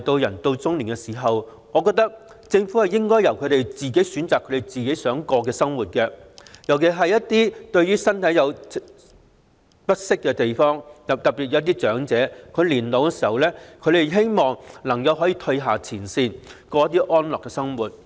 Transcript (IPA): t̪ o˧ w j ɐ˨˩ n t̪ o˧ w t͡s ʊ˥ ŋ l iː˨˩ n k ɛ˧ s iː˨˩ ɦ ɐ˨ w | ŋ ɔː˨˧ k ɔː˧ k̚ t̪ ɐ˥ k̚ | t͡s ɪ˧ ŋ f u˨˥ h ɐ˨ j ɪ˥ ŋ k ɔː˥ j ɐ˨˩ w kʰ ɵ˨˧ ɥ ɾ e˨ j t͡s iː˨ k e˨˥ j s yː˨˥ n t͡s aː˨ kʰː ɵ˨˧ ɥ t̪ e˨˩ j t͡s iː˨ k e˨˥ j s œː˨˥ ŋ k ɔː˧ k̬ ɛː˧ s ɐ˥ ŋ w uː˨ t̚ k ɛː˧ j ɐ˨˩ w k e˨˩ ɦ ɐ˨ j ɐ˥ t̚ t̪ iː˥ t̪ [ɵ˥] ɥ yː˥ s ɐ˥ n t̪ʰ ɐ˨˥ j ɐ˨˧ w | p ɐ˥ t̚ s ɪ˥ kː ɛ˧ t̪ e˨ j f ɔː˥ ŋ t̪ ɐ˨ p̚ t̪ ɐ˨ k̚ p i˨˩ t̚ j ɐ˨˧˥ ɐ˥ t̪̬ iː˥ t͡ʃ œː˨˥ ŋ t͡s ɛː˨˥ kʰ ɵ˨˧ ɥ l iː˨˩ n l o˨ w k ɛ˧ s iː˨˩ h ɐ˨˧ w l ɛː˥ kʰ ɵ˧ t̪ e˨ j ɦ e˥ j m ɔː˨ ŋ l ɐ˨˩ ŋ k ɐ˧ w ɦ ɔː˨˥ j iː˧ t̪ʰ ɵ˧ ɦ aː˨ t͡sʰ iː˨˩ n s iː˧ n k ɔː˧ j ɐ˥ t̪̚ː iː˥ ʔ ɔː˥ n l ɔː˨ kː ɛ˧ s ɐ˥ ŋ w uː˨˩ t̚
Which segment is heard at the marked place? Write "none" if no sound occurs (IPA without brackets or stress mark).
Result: ɵ˧